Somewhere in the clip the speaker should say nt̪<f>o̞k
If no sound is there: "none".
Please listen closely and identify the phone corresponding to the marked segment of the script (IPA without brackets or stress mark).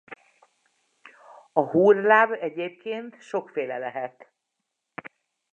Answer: ʃ